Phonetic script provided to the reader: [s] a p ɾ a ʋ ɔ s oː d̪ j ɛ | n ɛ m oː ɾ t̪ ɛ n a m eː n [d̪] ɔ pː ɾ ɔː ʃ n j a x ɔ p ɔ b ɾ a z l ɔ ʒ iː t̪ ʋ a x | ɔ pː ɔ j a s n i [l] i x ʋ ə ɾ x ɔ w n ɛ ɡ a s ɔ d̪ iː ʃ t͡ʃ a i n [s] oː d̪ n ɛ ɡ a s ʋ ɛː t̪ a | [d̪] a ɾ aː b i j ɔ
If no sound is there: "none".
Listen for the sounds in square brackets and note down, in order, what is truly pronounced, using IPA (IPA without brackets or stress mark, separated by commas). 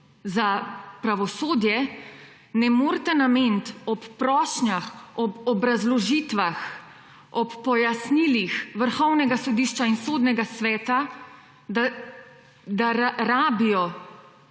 z, t̪, l, s, d̪